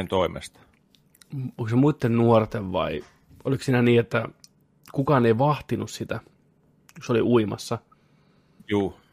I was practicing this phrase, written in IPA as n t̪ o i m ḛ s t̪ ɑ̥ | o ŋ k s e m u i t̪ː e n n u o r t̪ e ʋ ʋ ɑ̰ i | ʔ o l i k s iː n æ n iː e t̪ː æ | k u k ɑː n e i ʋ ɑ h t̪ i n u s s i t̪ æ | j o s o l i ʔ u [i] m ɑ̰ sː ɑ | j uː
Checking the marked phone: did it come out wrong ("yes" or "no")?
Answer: no